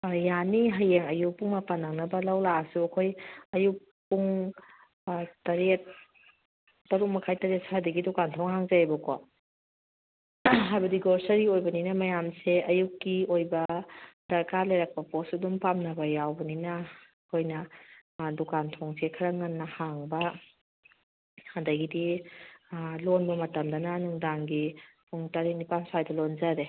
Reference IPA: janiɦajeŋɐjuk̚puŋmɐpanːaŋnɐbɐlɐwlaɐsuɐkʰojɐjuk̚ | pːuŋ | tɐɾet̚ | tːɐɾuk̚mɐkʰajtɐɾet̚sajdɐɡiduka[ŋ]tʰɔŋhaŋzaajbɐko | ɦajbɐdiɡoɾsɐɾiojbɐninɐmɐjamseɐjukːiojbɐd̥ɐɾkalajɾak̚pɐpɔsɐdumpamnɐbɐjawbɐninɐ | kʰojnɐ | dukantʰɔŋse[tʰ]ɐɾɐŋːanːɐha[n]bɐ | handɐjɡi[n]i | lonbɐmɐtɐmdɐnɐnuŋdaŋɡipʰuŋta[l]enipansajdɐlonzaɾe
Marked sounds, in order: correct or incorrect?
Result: incorrect, incorrect, incorrect, incorrect, incorrect

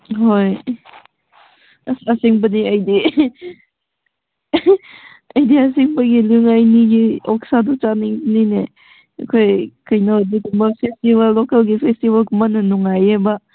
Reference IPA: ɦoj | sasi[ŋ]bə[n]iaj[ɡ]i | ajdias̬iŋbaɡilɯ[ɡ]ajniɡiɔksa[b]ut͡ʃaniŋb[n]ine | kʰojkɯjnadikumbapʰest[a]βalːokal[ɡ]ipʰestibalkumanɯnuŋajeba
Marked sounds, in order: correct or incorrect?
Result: correct, correct, incorrect, incorrect, incorrect, correct, incorrect, correct

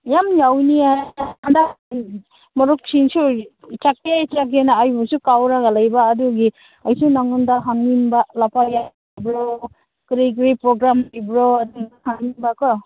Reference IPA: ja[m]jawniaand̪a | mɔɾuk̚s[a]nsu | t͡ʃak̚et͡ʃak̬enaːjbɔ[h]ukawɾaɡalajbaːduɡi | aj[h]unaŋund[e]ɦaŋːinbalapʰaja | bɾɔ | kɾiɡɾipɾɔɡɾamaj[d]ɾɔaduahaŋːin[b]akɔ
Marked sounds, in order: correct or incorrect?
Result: correct, incorrect, incorrect, incorrect, incorrect, incorrect, correct

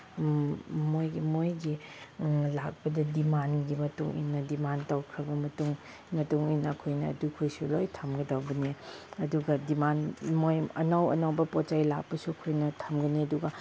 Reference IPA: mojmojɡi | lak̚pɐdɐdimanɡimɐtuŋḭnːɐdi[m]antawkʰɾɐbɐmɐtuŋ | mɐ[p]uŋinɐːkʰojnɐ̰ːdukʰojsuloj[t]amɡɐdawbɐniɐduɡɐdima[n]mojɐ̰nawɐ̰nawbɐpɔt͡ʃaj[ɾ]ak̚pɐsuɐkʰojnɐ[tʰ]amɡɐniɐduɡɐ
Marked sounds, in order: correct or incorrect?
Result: correct, incorrect, incorrect, correct, incorrect, correct

